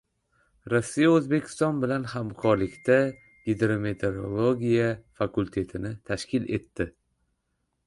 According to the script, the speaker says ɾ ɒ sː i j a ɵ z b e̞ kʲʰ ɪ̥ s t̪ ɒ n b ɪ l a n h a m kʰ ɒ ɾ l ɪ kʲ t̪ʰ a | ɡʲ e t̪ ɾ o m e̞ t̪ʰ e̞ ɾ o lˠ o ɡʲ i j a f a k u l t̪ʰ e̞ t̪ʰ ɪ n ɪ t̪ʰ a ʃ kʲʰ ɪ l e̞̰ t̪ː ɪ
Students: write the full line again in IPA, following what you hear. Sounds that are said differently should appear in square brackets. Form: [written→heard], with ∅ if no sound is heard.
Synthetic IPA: ɾ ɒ sː i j a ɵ z b e̞ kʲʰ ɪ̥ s t̪ ɒ n b ɪ l a n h a m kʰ ɒ ɾ l ɪ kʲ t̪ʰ a | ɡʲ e [t̪→d̪] ɾ o m e̞ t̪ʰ e̞ ɾ o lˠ o ɡʲ i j a f a k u l t̪ʰ e̞ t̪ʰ ɪ n ɪ t̪ʰ a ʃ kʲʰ ɪ l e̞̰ t̪ː ɪ